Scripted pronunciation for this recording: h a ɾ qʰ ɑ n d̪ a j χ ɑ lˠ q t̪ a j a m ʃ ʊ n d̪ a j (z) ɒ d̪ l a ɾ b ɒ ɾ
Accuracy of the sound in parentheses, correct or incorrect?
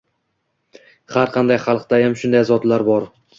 correct